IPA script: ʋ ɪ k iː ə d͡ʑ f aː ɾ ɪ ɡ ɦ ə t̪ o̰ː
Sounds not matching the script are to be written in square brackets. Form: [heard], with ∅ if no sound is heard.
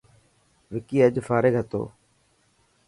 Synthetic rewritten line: ʋ ɪ k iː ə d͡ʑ f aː ɾ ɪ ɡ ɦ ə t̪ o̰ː